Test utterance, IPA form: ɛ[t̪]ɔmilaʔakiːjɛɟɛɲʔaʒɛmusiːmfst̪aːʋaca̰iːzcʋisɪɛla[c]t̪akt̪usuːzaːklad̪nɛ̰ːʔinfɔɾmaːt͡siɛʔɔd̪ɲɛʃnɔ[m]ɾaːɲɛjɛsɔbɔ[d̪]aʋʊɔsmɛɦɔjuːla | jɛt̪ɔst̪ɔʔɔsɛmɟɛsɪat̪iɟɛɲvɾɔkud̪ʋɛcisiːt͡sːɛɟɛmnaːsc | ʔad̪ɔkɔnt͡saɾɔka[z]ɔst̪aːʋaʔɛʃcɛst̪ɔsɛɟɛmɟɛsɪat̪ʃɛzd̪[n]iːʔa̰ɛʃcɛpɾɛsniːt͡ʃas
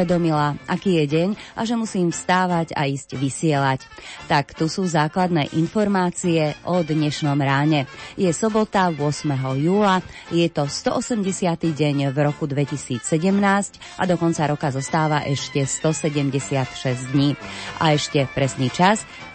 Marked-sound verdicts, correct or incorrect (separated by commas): incorrect, correct, correct, incorrect, correct, incorrect